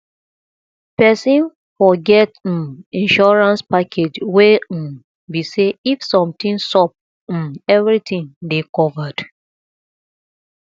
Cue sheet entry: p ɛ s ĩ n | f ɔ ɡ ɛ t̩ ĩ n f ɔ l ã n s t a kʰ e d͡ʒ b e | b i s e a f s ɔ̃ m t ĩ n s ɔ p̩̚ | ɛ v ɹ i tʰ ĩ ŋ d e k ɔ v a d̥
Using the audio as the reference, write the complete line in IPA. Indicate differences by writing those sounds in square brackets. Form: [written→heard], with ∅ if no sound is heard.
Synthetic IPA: p ɛ s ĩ n | f ɔ ɡ ɛ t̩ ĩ n [f→ʃ] ɔ [l→ɹ] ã n s [t→p] a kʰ e d͡ʒ [b→w] e | b i s e [a→i] f s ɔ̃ m t ĩ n s ɔ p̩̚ | ɛ v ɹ i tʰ ĩ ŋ d e k ɔ v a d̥